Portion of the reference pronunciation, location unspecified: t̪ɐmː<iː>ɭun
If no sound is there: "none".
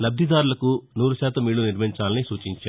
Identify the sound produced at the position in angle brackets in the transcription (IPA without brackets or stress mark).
iː